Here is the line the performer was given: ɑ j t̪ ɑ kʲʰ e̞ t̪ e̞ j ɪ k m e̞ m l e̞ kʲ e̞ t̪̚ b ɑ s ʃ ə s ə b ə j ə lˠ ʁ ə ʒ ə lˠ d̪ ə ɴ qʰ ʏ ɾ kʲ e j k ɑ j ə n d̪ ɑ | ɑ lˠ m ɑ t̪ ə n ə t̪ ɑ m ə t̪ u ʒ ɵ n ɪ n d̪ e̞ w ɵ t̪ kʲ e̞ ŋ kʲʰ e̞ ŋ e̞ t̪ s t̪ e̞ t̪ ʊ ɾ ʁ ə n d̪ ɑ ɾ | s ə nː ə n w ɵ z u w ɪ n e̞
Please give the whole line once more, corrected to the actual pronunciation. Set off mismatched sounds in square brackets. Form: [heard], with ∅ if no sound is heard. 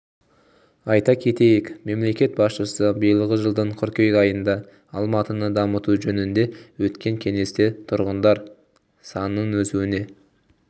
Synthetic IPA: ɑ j t̪ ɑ kʲʰ e̞ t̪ e̞ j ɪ k m e̞ m l e̞ kʲ e̞ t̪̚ b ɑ s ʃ ə s ə b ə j ə lˠ ʁ ə ʒ ə lˠ d̪ ə ɴ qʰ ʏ ɾ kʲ e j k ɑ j ə n d̪ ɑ | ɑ lˠ m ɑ t̪ ə n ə [d̪] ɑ m ə t̪ u ʒ ɵ n ɪ n d̪ e̞ w ɵ t̪ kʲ e̞ ŋ kʲʰ e̞ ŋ e̞ [∅] s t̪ e̞ [t̪ʰ] ʊ ɾ ʁ ə n d̪ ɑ ɾ | s [ɑ] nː ə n w ɵ z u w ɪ n e̞